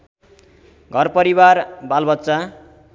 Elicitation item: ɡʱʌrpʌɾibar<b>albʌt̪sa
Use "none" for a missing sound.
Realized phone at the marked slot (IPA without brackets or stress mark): b